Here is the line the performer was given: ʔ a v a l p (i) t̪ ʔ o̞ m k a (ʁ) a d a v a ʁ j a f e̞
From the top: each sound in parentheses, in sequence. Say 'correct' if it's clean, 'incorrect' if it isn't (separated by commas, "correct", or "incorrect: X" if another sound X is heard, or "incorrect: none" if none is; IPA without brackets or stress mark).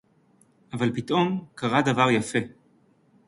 correct, correct